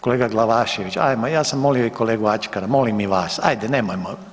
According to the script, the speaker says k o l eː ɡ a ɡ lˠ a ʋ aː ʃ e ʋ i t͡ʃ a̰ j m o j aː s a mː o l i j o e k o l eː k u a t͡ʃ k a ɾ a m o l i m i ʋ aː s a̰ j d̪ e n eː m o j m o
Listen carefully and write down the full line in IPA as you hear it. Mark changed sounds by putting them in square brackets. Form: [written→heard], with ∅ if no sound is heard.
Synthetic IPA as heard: k o l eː ɡ a ɡ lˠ a ʋ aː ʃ e ʋ i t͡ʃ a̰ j m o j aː s a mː o l i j o [e→i] k o l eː [k→ɡ] u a t͡ʃ k a ɾ a m o l i m i ʋ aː s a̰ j d̪ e n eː m o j m o